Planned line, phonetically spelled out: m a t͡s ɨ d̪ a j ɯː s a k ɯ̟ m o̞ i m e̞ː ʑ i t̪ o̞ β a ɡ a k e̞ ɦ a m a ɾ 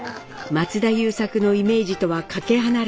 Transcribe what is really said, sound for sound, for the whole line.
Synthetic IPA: m a t͡s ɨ d̪ a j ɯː s a k ɯ̟ n o̞ i m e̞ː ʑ i t̪ o̞ β a k a k e̞ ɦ a n a ɾ